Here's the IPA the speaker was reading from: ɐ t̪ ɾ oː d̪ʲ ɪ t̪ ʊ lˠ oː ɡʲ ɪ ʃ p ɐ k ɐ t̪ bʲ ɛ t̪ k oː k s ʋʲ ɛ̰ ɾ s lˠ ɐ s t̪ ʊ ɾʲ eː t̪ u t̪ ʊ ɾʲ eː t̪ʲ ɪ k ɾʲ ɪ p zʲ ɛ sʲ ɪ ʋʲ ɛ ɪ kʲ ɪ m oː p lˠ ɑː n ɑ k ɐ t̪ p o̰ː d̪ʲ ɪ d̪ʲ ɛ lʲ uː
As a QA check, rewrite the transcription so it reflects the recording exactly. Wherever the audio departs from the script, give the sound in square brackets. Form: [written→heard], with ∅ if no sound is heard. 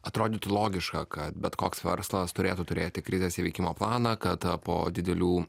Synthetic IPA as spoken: ɐ t̪ ɾ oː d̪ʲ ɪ t̪ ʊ lˠ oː ɡʲ ɪ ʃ [p→k] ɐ k ɐ t̪ bʲ ɛ t̪ k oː k s ʋʲ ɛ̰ ɾ s lˠ ɐ s t̪ ʊ ɾʲ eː t̪ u t̪ ʊ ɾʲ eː t̪ʲ ɪ k ɾʲ ɪ [p→∅] zʲ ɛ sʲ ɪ ʋʲ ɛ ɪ kʲ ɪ m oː p lˠ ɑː n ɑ k ɐ t̪ p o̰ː d̪ʲ ɪ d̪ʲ ɛ lʲ uː

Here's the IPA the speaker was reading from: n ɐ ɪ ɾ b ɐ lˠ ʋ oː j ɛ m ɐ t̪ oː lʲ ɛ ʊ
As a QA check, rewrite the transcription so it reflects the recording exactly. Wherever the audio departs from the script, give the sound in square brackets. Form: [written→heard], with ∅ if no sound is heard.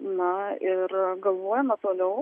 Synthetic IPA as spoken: n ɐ ɪ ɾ [b→ɡ] ɐ lˠ ʋ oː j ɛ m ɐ t̪ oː lʲ ɛ ʊ

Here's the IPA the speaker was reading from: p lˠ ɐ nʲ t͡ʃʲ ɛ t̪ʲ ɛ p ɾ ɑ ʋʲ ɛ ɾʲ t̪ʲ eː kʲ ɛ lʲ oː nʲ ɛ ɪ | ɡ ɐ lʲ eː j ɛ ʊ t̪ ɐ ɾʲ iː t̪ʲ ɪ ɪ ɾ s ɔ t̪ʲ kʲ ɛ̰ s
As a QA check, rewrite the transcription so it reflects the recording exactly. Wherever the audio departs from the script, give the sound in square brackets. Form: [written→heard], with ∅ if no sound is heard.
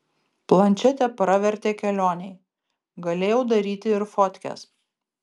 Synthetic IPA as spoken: p lˠ ɐ nʲ t͡ʃʲ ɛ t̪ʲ ɛ p ɾ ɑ ʋʲ ɛ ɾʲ t̪ʲ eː kʲ ɛ lʲ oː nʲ ɛ ɪ | ɡ ɐ lʲ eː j ɛ ʊ [t̪→d̪] ɐ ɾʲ iː t̪ʲ ɪ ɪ ɾ [s→f] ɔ t̪ʲ kʲ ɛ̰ s

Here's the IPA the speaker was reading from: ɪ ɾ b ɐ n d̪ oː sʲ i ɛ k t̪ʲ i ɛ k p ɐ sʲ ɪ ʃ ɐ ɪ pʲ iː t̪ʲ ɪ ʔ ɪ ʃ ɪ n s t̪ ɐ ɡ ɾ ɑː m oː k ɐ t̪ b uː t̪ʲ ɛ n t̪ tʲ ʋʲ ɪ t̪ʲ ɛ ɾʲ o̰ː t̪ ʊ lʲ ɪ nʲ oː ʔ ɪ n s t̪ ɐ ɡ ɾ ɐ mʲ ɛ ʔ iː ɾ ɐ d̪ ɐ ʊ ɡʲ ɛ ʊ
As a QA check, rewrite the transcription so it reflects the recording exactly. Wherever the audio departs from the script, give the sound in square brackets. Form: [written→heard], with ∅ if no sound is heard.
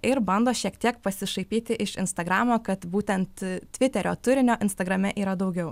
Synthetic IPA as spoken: ɪ ɾ b ɐ n d̪ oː [sʲ→ʃʲ] i ɛ k t̪ʲ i ɛ k p ɐ sʲ ɪ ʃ ɐ ɪ pʲ iː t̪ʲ ɪ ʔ ɪ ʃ ɪ n s t̪ ɐ ɡ ɾ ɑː m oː k ɐ t̪ b uː t̪ʲ ɛ n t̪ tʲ ʋʲ ɪ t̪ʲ ɛ ɾʲ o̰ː t̪ ʊ [lʲ→ɾʲ] ɪ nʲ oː ʔ ɪ n s t̪ ɐ ɡ ɾ ɐ mʲ ɛ ʔ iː ɾ ɐ d̪ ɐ ʊ ɡʲ ɛ ʊ

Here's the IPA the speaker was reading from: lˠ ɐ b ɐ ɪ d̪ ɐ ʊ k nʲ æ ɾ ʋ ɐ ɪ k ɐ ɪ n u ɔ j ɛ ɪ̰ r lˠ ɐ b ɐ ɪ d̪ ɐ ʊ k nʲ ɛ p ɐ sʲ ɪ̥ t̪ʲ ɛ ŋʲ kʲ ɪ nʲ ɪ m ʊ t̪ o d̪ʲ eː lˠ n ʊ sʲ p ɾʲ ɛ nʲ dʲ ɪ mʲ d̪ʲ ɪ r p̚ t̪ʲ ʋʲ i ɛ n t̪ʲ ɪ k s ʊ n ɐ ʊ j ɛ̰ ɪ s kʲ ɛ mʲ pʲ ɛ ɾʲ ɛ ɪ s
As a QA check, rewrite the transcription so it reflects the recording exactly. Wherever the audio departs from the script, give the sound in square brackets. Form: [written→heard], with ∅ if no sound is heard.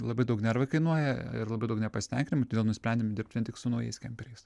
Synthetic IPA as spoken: lˠ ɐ b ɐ ɪ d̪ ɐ ʊ k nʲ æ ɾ ʋ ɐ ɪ k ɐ ɪ n u ɔ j ɛ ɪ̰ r lˠ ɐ b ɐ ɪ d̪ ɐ ʊ k nʲ ɛ p ɐ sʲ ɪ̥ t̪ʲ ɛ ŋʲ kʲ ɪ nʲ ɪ m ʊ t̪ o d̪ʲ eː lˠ n ʊ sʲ p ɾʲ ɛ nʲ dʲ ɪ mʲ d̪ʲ ɪ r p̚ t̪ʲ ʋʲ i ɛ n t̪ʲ ɪ k s ʊ n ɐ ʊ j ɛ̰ ɪ s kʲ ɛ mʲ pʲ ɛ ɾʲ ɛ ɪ s

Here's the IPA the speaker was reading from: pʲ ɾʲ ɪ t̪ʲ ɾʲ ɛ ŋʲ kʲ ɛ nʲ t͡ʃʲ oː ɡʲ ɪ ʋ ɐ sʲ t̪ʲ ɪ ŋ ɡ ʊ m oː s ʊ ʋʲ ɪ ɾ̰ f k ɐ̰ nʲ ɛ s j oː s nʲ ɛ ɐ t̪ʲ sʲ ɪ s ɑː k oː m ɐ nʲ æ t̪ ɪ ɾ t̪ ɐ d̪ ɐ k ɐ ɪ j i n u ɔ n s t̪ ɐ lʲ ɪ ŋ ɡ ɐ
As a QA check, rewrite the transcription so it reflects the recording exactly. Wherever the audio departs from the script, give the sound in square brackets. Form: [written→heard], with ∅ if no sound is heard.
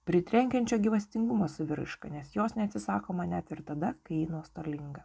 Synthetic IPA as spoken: pʲ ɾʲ ɪ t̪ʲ ɾʲ ɛ ŋʲ kʲ ɛ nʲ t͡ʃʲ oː ɡʲ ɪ ʋ ɐ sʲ t̪ʲ ɪ ŋ ɡ ʊ m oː s ʊ ʋʲ ɪ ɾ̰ [f→ʃ] k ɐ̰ nʲ ɛ s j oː s nʲ ɛ ɐ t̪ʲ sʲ ɪ s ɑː k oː m ɐ nʲ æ t̪ ɪ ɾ t̪ ɐ d̪ ɐ k ɐ ɪ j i n u ɔ [n→∅] s t̪ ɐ lʲ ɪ ŋ ɡ ɐ

